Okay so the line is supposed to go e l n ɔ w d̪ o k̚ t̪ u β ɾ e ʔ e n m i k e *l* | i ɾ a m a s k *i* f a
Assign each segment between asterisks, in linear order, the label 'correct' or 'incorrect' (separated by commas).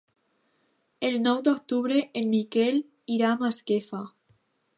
correct, incorrect